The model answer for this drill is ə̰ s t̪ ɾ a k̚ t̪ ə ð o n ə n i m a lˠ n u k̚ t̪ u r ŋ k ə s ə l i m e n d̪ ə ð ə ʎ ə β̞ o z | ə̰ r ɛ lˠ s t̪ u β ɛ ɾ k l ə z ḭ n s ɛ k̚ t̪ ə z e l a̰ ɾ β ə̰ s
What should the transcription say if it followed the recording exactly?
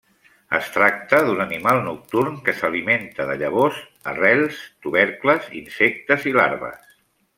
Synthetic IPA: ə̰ s t̪ ɾ a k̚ t̪ ə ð u n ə n i m a lˠ n u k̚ t̪ u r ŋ k ə s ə l i m e n t̪ ə ð ə ʎ ə β̞ o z | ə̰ r ɛ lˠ s t̪ u β ɛ ɾ k l ə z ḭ n s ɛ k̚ t̪ ə z i l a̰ ɾ β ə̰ s